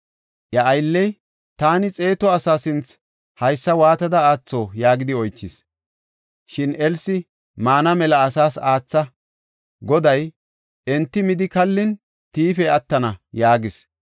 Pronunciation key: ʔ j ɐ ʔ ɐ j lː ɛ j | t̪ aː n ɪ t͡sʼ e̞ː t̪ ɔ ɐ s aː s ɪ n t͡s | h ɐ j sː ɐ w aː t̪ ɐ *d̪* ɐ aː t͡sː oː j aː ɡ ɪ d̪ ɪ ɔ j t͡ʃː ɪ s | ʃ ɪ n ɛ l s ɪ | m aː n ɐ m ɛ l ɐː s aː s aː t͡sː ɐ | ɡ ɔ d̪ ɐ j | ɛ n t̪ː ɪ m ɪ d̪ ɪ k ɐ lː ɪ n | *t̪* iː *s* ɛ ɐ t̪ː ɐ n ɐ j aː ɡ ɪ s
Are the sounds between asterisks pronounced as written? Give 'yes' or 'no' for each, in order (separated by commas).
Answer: yes, yes, no